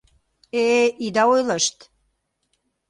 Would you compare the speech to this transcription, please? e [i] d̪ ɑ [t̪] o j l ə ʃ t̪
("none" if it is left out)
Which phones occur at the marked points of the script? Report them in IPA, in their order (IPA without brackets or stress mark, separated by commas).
i, none